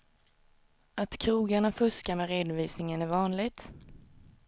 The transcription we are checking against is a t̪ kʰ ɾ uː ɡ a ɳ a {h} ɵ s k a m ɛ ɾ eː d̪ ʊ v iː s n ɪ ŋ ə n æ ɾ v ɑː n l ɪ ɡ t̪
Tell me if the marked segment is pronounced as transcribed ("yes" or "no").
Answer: no